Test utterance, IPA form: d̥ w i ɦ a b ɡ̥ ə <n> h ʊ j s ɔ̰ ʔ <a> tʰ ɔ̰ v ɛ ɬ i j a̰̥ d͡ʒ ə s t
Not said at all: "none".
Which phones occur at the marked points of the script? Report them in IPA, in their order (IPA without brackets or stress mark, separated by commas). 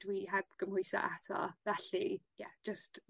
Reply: m, a